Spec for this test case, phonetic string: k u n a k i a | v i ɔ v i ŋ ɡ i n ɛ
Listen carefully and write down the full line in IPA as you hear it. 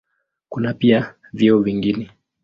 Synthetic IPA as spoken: k u n a p i a | v i ɔ v i ŋ ɡ i n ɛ

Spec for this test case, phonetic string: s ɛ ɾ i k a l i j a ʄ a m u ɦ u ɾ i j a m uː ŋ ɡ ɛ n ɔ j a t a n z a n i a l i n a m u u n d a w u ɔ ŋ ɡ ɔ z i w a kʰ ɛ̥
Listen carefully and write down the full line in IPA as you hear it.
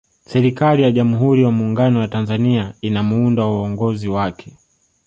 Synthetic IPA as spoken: s ɛ ɾ i k a l i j a ʄ a m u ɦ u ɾ i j a m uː ŋ ɡ a n ɔ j a t a n z a n i a i n a m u u n d a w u ɔ ŋ ɡ ɔ z i w a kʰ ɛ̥

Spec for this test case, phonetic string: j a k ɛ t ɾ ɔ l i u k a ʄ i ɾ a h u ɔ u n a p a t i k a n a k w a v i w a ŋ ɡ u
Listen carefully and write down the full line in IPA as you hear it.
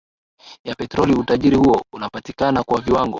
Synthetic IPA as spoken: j a p ɛ t ɾ ɔ l i u t a ʄ i ɾ i h u ɔ u n a p a t i k a n a k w a v i w a ŋ ɡ ɔ

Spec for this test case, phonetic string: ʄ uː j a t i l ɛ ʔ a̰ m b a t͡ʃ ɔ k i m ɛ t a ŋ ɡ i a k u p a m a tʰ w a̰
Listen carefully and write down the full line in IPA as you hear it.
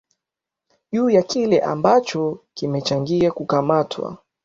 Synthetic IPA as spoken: ʄ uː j a k i l ɛ ʔ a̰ m b a t͡ʃ ɔ k i m ɛ t͡ʃ a ŋ ɡ i a k u k a m a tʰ w a̰

